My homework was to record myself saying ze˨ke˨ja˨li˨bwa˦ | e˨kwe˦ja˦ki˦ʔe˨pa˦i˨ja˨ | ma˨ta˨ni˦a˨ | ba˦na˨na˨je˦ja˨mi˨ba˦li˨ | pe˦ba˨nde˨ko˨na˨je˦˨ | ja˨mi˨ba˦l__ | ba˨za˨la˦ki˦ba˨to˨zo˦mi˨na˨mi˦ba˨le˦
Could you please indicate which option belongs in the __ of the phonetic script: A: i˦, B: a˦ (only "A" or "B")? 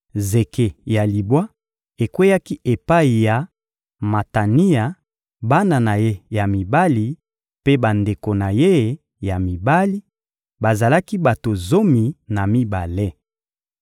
A